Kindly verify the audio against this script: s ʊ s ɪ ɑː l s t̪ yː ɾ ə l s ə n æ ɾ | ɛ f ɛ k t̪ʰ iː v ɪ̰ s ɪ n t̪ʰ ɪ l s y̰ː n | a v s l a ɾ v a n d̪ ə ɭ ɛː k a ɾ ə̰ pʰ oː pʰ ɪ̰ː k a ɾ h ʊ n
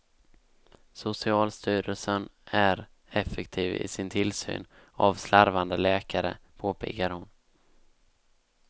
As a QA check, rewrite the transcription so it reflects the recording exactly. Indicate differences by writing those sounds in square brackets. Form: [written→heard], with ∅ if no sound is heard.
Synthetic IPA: s ʊ s ɪ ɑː l s t̪ yː ɾ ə l s ə n æ ɾ | ɛ f ɛ k t̪ʰ iː v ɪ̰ s ɪ n t̪ʰ ɪ l s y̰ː n | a v s l a ɾ v a n d̪ ə [ɭ→l] ɛː k a ɾ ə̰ pʰ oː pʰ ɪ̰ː k a ɾ h ʊ n